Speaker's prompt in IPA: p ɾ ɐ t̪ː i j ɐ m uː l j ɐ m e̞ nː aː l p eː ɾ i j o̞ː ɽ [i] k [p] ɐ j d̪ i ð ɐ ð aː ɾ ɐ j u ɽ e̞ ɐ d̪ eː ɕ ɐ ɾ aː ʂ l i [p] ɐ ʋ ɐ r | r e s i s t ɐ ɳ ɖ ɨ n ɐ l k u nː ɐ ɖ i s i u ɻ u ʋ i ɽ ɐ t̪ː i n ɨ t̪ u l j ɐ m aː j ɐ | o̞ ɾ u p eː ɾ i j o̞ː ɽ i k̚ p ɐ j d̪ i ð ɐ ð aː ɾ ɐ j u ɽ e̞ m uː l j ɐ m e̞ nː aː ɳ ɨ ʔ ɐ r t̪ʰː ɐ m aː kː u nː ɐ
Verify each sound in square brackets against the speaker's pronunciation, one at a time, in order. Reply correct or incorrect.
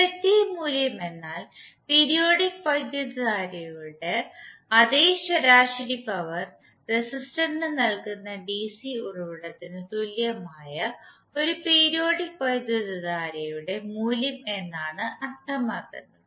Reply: correct, correct, correct

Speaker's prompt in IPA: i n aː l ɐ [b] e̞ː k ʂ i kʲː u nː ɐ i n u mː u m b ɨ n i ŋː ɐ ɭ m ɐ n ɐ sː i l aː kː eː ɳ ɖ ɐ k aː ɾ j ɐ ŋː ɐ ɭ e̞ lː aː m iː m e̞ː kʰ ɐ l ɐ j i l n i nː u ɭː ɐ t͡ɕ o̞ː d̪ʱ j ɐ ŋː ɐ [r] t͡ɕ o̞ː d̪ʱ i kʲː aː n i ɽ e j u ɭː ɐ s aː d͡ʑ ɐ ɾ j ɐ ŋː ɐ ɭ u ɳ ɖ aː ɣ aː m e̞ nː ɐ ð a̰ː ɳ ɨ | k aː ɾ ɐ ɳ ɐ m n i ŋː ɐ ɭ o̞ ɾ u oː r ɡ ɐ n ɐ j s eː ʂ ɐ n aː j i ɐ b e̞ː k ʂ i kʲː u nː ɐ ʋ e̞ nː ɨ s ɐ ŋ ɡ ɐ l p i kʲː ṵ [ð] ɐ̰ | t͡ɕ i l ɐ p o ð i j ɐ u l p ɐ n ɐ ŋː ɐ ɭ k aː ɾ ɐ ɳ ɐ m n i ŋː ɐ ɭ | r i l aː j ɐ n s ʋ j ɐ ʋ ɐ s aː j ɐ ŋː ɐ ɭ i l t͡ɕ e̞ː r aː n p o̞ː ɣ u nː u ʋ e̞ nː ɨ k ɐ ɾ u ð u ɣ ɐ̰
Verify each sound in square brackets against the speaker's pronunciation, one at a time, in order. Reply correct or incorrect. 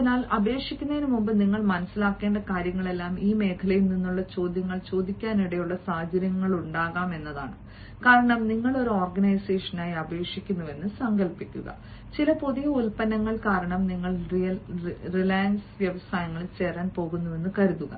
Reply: correct, incorrect, incorrect

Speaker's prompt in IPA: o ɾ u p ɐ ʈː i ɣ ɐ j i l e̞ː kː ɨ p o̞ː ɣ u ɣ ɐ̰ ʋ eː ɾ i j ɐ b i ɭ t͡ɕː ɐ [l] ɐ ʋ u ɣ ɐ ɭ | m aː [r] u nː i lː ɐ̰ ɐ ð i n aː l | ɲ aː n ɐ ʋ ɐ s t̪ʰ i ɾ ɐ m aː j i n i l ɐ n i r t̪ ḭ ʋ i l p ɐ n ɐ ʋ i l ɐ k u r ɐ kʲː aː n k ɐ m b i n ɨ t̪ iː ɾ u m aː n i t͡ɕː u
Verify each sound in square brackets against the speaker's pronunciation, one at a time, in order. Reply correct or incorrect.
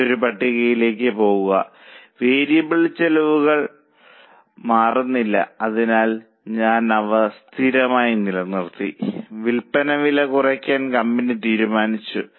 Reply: correct, correct

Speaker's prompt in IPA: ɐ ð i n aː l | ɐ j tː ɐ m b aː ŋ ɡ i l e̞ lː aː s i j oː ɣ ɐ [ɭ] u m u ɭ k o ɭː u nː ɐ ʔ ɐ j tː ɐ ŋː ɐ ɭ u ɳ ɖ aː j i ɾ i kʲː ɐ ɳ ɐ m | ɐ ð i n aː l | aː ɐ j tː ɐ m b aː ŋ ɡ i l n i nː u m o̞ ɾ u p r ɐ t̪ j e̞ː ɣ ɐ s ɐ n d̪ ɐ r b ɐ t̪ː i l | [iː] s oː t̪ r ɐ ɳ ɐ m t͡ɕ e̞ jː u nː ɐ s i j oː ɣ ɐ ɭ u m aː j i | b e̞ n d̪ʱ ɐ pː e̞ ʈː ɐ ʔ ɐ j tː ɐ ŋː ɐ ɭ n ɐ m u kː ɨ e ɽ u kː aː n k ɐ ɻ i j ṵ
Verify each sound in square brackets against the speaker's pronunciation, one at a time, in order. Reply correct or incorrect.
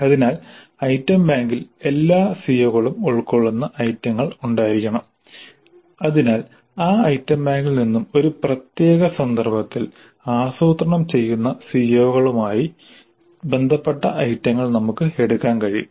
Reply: correct, incorrect

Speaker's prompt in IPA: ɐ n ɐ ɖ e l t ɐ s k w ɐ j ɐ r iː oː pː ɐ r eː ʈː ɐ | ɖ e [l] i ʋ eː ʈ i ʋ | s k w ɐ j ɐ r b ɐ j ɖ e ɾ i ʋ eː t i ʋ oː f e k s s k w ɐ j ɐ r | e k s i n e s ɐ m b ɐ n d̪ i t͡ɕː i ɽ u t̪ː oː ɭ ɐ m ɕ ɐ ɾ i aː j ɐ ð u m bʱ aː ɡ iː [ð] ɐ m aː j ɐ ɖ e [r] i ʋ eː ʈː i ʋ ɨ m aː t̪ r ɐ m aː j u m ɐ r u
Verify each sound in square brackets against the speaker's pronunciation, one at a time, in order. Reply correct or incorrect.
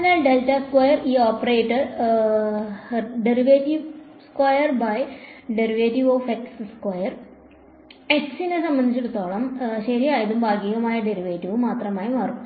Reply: incorrect, incorrect, incorrect

